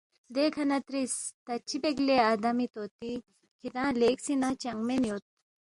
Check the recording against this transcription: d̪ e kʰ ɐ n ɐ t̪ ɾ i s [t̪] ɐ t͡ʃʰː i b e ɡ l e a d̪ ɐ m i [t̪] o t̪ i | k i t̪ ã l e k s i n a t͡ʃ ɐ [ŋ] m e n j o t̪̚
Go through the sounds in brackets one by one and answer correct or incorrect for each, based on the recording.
correct, correct, correct

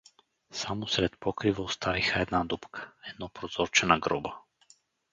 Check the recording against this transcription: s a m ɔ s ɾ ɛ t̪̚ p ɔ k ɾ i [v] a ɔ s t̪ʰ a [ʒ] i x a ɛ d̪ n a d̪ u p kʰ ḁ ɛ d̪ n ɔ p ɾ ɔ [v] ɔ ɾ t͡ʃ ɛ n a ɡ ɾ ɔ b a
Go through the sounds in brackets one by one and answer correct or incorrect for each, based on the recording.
correct, incorrect: v, incorrect: z

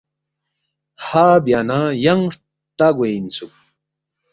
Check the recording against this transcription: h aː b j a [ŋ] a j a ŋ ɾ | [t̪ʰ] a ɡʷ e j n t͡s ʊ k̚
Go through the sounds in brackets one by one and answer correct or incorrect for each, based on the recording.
incorrect: n, incorrect: t̪

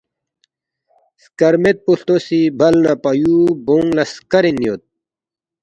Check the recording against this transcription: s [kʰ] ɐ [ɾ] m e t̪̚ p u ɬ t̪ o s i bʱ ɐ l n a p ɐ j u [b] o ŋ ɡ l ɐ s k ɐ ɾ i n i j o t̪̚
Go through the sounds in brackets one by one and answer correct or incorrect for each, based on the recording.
incorrect: k, correct, correct

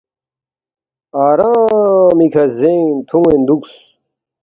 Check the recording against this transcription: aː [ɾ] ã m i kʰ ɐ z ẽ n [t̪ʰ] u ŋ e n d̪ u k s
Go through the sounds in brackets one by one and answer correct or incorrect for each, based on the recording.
correct, correct

